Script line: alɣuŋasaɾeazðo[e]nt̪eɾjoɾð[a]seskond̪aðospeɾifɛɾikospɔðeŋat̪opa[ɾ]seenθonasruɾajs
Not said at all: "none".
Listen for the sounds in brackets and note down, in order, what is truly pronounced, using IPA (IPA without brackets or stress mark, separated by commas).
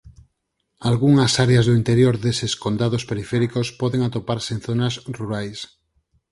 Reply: i, e, ɾ